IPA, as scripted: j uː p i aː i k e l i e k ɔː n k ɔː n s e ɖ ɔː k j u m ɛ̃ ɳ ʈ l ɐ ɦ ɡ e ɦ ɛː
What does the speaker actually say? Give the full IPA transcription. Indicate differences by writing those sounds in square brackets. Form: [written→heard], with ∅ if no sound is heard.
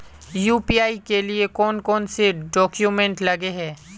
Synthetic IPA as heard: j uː p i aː i k e l i e k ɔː n k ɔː n s e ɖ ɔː k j u m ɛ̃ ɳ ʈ l ɐ [ɦ→∅] ɡ e ɦ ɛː